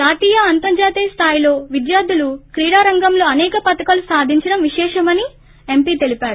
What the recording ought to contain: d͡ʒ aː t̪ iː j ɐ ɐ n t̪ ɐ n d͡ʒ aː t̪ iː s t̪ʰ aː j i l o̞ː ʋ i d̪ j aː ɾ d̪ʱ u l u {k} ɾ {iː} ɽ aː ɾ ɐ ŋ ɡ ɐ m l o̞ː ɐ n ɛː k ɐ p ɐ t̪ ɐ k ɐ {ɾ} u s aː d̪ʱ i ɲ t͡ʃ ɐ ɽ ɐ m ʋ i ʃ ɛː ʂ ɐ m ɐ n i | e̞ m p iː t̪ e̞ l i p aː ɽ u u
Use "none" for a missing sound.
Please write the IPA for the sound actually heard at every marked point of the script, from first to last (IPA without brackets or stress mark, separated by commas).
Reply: k, iː, l